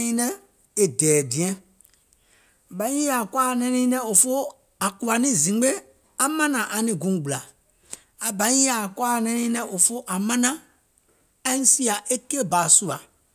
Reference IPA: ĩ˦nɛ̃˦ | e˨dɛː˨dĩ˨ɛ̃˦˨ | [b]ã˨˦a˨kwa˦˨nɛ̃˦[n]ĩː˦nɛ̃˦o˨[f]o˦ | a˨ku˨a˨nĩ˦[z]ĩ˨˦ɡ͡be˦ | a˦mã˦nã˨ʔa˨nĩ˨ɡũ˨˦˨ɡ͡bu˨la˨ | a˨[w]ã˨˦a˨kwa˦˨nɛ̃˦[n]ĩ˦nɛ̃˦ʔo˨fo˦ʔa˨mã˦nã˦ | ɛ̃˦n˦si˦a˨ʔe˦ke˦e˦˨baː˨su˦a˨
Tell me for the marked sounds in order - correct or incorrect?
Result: correct, correct, correct, correct, incorrect: b, correct

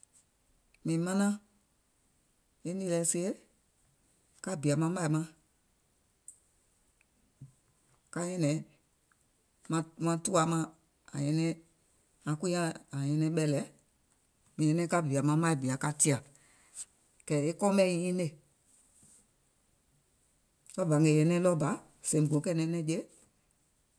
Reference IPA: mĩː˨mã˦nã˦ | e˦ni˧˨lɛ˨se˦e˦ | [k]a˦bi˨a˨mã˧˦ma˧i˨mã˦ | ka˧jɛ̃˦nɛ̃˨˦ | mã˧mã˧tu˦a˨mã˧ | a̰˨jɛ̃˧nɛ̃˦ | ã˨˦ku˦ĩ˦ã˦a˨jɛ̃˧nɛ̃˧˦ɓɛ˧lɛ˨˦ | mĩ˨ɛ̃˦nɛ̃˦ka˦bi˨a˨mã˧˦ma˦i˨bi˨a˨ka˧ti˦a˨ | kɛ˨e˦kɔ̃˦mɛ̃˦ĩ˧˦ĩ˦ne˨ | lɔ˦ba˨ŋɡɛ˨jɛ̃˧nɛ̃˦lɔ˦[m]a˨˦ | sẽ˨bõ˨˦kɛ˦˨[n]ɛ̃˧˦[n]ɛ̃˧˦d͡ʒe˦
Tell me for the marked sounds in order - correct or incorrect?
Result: correct, incorrect: b, correct, correct

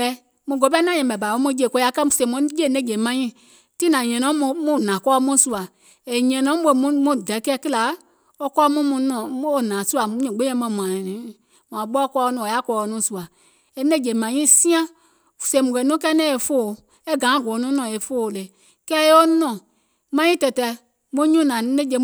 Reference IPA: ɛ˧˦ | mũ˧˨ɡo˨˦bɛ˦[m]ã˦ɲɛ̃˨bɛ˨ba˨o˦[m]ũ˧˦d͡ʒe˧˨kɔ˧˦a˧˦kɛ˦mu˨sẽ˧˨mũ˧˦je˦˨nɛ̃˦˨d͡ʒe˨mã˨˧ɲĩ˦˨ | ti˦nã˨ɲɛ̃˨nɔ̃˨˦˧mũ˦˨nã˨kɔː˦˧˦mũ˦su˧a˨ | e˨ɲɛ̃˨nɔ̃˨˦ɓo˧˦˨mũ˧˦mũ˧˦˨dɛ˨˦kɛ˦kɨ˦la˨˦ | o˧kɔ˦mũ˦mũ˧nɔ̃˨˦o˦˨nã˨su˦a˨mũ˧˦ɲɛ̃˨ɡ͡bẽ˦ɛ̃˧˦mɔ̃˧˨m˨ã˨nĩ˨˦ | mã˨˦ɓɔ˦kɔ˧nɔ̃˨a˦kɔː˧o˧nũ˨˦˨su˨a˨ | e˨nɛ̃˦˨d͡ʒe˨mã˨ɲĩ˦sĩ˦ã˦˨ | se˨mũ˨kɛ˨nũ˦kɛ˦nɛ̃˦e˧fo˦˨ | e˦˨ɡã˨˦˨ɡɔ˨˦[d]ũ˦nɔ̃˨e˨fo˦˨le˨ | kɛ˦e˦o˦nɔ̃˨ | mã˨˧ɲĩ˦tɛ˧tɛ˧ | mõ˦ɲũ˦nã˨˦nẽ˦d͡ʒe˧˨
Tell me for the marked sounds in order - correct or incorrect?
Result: incorrect: n, correct, incorrect: n

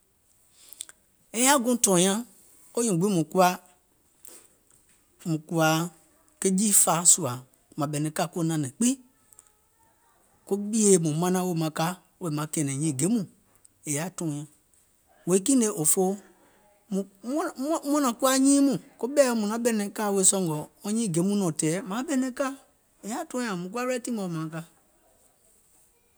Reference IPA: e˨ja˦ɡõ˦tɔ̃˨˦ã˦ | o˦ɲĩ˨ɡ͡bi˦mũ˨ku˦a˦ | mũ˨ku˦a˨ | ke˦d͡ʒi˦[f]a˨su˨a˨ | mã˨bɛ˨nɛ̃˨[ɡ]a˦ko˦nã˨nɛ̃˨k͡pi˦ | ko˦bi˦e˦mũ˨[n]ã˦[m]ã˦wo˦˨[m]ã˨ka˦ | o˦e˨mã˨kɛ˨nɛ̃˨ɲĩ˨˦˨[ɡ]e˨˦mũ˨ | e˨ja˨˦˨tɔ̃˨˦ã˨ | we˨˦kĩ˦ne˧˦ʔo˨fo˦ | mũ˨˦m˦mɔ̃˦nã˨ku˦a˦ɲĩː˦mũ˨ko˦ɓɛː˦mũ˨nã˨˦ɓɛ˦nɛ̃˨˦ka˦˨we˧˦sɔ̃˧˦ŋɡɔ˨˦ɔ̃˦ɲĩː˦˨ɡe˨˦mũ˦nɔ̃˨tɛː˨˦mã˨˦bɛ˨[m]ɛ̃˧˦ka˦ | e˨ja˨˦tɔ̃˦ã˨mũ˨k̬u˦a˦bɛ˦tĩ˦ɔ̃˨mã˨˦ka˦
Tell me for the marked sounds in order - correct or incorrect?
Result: correct, incorrect: k, incorrect: m, incorrect: n, correct, correct, incorrect: n

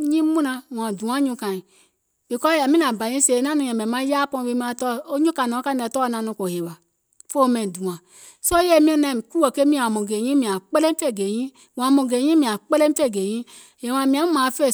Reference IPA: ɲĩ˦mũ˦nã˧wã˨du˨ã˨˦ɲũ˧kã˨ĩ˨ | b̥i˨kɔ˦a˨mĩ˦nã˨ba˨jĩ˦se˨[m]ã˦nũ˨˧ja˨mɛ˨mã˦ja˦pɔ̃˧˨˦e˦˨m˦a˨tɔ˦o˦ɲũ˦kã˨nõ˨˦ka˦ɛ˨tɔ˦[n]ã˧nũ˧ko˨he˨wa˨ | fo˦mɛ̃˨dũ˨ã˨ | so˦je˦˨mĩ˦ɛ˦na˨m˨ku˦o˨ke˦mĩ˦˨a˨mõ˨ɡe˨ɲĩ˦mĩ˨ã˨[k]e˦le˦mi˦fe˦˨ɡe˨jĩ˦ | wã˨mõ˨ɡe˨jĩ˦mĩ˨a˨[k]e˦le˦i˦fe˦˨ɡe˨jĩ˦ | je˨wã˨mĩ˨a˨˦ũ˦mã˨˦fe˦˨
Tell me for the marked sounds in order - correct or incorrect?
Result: incorrect: n, correct, incorrect: k͡p, incorrect: k͡p

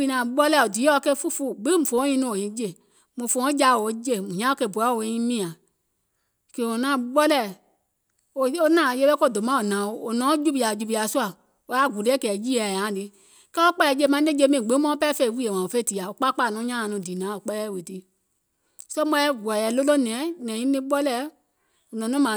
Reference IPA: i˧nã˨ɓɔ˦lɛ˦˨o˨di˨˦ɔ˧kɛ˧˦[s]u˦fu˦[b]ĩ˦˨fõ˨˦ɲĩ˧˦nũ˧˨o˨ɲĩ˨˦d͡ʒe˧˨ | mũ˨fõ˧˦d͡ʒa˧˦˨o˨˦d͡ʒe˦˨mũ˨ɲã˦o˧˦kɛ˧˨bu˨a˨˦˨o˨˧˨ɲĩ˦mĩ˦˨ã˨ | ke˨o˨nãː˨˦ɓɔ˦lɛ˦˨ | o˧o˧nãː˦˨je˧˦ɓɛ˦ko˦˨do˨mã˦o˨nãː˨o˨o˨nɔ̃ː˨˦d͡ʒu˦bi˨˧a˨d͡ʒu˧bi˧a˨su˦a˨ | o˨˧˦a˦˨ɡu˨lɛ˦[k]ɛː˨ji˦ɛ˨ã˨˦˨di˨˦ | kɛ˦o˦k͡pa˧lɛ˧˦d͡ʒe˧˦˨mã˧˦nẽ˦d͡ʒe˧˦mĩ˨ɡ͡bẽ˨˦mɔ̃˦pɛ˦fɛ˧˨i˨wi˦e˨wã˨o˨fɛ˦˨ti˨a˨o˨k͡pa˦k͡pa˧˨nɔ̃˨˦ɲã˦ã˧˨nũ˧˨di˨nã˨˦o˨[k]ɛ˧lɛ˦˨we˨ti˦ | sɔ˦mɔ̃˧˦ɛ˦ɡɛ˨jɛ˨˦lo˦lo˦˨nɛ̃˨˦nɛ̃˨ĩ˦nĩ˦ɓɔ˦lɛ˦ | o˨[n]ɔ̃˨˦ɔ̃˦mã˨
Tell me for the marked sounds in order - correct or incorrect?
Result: incorrect: f, incorrect: ɡ͡b, correct, incorrect: k͡p, correct

